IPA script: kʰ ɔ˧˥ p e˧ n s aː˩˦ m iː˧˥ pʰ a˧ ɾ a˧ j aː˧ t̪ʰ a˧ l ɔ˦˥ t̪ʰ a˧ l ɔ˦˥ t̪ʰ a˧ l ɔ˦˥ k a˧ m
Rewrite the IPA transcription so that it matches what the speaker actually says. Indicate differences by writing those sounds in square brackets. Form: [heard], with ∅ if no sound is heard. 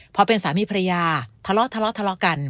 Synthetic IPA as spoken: [pʰ] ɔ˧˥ p e˧ n s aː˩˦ m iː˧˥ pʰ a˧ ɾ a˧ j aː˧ t̪ʰ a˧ l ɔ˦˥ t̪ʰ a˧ l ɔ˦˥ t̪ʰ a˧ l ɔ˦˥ k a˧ [n]